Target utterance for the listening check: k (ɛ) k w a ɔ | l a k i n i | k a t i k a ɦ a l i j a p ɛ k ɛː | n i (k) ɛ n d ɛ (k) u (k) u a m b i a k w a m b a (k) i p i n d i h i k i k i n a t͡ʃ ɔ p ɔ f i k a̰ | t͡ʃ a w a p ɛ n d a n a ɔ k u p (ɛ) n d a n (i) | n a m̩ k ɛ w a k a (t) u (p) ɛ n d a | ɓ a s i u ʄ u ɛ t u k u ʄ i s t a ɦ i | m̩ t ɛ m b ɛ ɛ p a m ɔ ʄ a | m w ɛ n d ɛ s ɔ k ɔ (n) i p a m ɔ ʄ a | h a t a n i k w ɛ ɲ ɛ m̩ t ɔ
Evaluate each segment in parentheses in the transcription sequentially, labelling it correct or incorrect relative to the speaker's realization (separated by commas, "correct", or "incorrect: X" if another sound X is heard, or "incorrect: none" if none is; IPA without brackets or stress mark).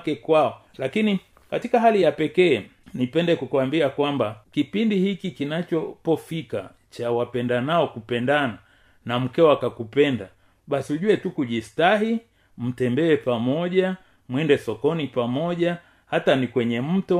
correct, incorrect: p, correct, correct, correct, correct, incorrect: a, incorrect: k, correct, correct